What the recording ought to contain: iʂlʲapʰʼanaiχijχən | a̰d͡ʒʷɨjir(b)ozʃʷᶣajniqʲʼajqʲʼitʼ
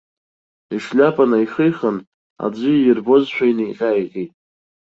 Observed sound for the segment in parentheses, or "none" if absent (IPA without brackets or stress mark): b